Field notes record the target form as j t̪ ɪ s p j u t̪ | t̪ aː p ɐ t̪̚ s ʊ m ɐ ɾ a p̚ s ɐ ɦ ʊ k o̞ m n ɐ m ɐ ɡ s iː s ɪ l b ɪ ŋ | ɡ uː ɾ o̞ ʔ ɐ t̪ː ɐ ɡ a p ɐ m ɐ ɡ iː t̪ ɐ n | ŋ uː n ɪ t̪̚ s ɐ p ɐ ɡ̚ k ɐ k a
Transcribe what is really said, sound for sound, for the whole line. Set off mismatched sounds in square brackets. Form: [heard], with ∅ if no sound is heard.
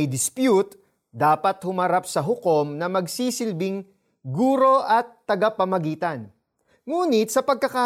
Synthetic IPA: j [d̪] ɪ s p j u t̪ | [d̪] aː p ɐ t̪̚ [h] ʊ m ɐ ɾ a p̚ s ɐ ɦ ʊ k o̞ m n ɐ m ɐ ɡ s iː s ɪ l b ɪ ŋ | ɡ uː ɾ o̞ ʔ ɐ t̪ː ɐ ɡ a p ɐ m ɐ ɡ iː t̪ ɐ n | ŋ uː n ɪ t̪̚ s ɐ p ɐ ɡ̚ k ɐ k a